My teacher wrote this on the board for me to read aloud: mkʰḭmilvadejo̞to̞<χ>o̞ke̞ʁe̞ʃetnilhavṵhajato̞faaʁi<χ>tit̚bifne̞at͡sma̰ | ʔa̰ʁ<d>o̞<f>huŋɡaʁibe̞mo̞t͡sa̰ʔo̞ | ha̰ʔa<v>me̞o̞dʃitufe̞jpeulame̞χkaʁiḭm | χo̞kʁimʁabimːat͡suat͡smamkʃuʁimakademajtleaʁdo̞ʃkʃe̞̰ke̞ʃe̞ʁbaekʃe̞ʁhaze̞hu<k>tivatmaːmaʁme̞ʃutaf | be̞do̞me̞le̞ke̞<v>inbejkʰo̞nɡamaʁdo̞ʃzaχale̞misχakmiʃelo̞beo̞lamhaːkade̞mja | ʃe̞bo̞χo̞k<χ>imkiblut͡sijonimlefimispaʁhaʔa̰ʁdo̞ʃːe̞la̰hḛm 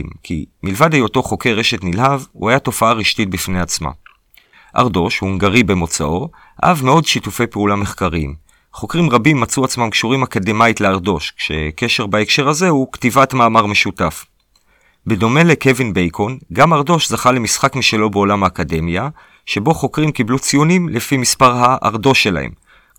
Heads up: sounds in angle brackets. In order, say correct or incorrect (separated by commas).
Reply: correct, incorrect, correct, incorrect, correct, correct, correct, incorrect